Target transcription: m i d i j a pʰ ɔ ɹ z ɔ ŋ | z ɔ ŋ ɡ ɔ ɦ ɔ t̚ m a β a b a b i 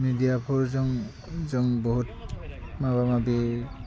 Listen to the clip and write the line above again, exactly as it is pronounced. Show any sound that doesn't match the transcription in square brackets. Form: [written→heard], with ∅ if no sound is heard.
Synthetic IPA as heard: m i d i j a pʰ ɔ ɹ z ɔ ŋ | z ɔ ŋ [ɡ→b] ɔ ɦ [ɔ→u] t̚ m a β a [b→m] a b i